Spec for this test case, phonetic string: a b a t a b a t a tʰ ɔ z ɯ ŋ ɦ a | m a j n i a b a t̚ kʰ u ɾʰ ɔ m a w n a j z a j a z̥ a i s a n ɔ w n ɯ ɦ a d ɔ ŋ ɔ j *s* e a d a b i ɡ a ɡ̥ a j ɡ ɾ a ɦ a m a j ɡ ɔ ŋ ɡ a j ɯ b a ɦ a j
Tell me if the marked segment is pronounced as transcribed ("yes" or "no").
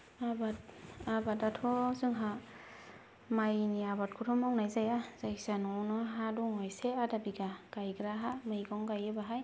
yes